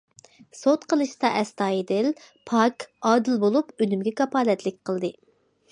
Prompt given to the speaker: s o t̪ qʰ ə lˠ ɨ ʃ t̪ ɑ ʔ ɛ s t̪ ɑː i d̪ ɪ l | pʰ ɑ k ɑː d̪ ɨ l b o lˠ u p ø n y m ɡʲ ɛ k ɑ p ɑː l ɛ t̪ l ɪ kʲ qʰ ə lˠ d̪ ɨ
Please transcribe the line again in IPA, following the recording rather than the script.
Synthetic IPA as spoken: s o t̪ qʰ ə lˠ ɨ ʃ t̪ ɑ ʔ ɛ s t̪ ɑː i d̪ ɪ l | pʰ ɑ k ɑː d̪ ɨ l b o lˠ u p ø n y m ɡʲ ɛ k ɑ p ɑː l ɛ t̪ l ɪ kʲ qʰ ə lˠ d̪ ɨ